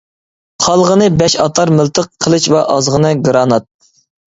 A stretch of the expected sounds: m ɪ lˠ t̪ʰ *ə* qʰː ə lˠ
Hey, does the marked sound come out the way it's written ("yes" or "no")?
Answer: yes